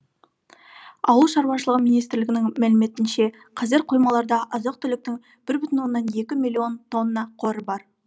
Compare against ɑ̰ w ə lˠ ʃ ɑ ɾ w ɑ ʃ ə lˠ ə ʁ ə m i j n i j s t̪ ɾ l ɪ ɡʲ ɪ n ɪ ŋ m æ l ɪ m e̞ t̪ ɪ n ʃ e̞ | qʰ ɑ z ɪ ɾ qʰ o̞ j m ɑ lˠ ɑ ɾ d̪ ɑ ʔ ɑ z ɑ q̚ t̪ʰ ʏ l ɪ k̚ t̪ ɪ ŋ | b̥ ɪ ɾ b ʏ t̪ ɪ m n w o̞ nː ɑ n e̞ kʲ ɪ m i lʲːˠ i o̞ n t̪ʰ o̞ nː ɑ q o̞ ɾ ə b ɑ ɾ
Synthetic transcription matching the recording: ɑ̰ w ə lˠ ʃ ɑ ɾ w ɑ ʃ ə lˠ ə ʁ ə m i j n i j s t̪ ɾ l ɪ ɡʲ ɪ n ɪ ŋ m æ l ɪ m e̞ t̪ ɪ n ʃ e̞ | qʰ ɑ z ɪ ɾ qʰ o̞ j m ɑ lˠ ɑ ɾ d̪ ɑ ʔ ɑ z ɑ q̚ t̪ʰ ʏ l ɪ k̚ t̪ ɪ ŋ | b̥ ɪ ɾ b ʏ t̪ ɪ n w o̞ nː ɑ n e̞ kʲ ɪ m i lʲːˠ i o̞ n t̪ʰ o̞ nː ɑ qʰ o̞ ɾ ə b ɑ ɾ